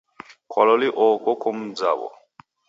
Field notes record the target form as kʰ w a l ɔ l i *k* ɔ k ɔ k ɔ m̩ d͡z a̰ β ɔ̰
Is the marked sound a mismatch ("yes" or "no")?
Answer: yes